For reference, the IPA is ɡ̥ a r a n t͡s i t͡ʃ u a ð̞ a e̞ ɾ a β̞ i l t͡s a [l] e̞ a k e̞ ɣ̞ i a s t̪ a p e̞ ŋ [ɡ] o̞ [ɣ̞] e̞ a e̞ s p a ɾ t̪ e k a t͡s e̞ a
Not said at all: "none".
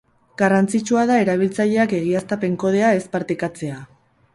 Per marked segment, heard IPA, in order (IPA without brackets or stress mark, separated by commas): ʎ, k, ð̞